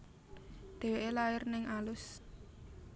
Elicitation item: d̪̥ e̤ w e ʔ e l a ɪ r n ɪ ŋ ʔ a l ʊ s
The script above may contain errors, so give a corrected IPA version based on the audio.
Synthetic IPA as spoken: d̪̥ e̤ w e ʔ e l a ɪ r n ɪ ŋ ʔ a l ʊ s